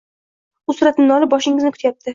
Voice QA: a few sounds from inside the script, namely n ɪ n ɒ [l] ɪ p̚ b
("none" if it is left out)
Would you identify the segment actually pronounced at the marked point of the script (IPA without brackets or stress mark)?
l